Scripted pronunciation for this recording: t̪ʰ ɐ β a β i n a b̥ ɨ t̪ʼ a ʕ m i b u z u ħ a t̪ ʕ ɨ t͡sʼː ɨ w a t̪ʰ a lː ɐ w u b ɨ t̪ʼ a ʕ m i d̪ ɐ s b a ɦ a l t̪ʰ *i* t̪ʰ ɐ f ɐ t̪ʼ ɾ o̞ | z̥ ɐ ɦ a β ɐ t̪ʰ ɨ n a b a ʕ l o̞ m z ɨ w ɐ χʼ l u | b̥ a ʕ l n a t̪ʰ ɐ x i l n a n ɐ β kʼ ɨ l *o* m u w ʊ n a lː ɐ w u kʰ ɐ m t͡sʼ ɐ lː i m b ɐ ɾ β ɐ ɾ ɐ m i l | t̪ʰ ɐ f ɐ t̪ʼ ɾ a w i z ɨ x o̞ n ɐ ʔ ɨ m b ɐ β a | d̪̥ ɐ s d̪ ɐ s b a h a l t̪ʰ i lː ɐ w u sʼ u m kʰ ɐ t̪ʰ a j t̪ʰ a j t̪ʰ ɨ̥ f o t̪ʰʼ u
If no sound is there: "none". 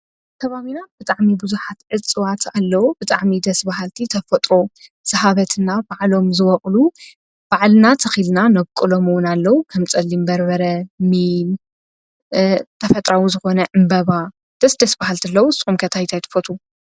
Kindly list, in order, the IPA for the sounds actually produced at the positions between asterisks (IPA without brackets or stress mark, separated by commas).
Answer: i, o